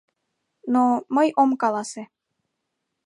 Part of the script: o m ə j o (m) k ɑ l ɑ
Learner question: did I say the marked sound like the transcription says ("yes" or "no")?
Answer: yes